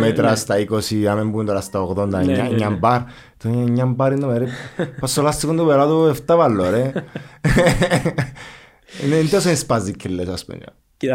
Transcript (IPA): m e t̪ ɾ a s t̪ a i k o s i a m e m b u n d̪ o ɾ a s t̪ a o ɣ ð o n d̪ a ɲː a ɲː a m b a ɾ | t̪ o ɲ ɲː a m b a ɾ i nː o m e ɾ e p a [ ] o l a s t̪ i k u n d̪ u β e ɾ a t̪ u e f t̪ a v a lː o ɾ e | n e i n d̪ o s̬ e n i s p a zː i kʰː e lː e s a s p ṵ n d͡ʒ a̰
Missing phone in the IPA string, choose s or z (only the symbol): s